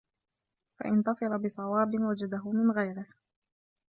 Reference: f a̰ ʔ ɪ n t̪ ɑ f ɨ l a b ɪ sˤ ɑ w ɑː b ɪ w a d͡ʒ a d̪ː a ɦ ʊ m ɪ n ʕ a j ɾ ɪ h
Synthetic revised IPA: f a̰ ʔ ɪ n t̪ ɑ f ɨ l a b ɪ sˤ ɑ w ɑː b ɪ w a d͡ʒ a d̪ a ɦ ʊ m ɪ n ɣ a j ɾ ɪ h